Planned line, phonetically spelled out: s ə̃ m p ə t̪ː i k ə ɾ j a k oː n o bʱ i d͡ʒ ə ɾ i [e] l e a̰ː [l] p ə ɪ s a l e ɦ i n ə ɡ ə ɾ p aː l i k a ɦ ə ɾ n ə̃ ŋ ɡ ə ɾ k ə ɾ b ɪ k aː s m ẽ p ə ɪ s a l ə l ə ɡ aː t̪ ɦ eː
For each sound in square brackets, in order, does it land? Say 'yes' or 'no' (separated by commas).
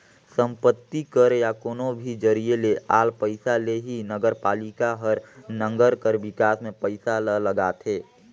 yes, yes